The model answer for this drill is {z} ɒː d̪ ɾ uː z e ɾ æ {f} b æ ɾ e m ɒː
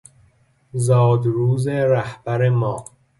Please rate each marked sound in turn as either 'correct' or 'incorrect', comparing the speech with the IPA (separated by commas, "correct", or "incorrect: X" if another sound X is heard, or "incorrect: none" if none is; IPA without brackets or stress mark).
correct, incorrect: h